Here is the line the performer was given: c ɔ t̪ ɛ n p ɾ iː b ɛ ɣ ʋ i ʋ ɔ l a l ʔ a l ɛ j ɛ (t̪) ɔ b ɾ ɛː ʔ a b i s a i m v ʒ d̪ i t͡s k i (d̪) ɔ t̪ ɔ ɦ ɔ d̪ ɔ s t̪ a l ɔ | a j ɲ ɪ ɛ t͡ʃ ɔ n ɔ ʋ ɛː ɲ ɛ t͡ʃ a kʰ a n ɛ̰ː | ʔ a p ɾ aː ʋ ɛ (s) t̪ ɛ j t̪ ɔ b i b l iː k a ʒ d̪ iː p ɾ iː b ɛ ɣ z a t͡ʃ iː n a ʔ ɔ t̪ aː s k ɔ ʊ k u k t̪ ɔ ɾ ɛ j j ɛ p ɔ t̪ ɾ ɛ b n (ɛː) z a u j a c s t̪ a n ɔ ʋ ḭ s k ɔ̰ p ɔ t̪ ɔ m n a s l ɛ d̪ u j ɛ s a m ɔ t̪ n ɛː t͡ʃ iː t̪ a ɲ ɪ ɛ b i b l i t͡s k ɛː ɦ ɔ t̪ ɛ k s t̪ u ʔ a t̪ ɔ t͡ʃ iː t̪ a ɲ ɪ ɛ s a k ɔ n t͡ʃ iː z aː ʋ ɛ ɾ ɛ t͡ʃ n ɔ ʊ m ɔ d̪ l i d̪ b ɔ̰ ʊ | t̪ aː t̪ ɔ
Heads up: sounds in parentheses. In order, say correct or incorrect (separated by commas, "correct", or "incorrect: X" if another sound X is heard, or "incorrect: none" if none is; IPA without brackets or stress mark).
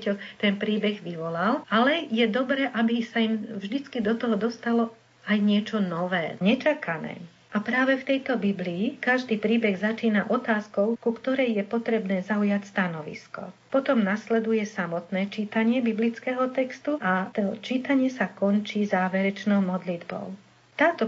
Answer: incorrect: d̪, correct, incorrect: f, correct